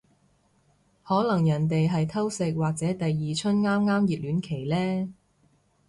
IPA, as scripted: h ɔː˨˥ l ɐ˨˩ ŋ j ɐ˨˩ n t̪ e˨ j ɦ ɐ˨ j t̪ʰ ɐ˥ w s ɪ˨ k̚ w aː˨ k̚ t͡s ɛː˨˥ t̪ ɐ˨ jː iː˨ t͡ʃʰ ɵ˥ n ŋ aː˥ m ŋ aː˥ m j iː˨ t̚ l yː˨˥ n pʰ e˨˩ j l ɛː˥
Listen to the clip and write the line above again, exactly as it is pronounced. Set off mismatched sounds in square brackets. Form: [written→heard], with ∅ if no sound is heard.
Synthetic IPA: h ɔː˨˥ l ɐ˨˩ ŋ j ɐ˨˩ n t̪ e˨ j ɦ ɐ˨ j t̪ʰ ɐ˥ w s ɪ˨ k̚ w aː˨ k̚ t͡s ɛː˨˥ t̪ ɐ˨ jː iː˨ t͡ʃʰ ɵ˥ n ŋ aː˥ m ŋ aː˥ m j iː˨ t̚ l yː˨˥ n [pʰ→kʰ] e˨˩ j l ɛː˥